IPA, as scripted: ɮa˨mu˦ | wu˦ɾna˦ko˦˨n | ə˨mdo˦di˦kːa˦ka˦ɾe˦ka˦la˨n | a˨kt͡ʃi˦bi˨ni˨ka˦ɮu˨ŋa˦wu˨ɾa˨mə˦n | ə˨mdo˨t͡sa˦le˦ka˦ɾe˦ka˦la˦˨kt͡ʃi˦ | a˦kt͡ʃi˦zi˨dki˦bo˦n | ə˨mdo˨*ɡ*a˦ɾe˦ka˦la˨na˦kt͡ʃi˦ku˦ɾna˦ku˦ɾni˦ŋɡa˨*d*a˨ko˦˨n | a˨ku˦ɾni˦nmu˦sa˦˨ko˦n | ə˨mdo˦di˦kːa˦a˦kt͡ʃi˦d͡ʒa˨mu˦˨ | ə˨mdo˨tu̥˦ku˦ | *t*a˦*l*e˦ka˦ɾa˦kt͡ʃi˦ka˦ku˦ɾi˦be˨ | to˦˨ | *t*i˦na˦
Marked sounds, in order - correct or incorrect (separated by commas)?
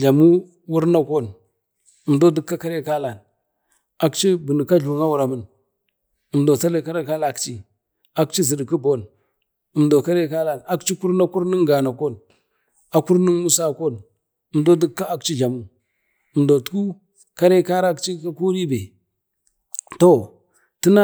incorrect, incorrect, incorrect, incorrect, correct